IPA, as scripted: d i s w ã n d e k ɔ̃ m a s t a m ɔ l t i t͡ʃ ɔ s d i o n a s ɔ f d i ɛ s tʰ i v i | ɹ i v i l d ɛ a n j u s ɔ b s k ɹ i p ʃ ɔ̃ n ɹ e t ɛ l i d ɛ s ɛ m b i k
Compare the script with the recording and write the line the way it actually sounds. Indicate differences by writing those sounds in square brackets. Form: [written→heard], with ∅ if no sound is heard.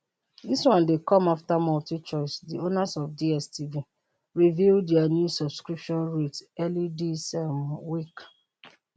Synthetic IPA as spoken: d i s w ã n d e k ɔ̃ m a [s→f] t a m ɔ l t i t͡ʃ ɔ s d i o n a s ɔ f d i ɛ s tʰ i v i | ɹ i v i l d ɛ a n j u s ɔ b s k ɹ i p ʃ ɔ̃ n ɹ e t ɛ l i d [ɛ→i] s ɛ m [b→w] i k